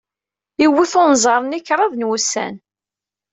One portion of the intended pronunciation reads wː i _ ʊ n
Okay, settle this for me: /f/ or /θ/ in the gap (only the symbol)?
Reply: θ